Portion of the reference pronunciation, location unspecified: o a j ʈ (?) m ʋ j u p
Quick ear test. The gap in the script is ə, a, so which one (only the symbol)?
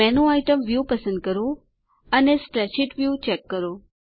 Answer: ə